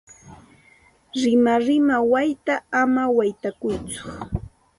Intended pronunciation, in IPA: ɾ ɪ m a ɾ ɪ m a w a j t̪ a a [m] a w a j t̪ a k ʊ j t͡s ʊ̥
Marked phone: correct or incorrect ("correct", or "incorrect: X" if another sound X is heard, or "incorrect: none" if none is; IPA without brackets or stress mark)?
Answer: correct